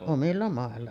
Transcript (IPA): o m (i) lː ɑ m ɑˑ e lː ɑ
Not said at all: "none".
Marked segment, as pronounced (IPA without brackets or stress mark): i